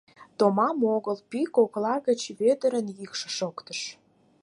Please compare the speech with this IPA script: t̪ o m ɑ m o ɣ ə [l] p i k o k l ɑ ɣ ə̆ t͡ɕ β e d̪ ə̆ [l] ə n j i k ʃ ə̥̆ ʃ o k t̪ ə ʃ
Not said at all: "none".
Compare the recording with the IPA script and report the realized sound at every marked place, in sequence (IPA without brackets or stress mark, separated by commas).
l, ɾ